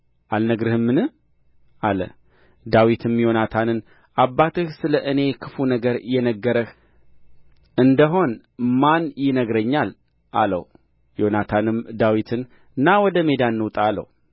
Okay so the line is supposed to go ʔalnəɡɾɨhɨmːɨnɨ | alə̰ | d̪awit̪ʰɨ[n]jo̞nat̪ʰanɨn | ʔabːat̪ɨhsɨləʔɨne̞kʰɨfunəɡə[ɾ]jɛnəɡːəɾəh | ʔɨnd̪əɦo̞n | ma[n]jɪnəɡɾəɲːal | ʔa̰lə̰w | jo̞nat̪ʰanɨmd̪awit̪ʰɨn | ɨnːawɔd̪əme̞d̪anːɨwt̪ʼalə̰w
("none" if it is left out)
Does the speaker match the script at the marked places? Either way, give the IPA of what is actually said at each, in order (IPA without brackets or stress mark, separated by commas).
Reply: m, ɾ, n